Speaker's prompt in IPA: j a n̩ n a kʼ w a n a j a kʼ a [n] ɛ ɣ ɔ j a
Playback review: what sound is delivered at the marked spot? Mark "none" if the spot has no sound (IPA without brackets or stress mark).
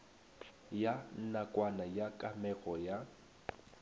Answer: m